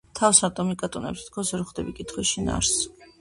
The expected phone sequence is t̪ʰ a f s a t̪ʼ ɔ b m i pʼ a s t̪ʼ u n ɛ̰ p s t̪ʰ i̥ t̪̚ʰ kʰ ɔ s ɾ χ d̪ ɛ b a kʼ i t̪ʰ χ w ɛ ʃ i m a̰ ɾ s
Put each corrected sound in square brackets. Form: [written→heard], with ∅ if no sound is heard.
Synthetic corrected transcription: t̪ʰ a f s a t̪ʼ ɔ [b→∅] m i [pʼ→kʼ] a [s→∅] t̪ʼ u n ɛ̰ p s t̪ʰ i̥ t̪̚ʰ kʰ ɔ s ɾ χ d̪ ɛ b [a→i] kʼ i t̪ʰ χ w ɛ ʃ i [m→n] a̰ ɾ s